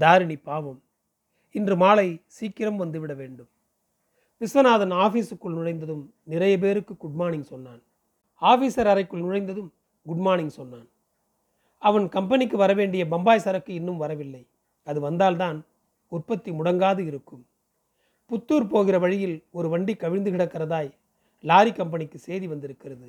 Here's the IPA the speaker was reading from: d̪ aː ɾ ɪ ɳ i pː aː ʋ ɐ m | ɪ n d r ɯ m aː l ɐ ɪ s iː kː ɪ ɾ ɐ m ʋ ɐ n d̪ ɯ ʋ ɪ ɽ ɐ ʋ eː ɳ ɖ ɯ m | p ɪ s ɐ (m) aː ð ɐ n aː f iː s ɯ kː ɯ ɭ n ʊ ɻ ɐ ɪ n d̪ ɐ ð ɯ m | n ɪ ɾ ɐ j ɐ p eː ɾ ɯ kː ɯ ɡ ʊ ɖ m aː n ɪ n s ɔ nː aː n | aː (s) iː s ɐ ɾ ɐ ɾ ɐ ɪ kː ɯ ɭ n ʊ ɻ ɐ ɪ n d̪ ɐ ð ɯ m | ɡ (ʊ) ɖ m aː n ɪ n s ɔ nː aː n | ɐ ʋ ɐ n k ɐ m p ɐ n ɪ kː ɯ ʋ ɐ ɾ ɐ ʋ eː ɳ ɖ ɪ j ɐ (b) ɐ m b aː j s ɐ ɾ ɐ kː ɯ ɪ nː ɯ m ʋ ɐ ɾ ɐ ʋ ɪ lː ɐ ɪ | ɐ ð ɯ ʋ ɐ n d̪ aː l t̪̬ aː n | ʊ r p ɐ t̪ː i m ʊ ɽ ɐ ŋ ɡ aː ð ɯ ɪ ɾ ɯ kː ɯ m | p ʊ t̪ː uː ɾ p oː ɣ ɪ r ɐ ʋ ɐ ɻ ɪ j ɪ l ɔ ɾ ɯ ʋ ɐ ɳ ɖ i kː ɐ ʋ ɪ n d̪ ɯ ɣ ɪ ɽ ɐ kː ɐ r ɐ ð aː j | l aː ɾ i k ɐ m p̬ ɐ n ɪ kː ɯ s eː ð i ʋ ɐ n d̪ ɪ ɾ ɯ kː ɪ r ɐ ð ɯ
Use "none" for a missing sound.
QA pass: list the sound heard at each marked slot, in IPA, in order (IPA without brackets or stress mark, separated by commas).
n, f, ʊ, b